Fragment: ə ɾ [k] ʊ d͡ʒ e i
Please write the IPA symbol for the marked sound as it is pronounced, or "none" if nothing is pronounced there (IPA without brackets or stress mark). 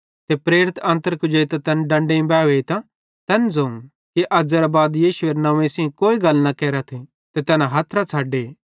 k